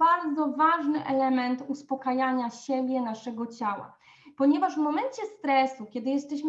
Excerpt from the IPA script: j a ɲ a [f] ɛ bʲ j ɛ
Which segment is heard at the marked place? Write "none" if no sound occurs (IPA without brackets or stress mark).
ɕ